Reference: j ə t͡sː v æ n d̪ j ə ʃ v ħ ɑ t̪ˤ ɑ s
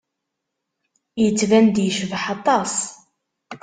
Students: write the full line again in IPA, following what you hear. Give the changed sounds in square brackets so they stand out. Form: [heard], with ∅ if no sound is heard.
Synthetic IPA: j ə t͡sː v æ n d̪ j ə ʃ v ħ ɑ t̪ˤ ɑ s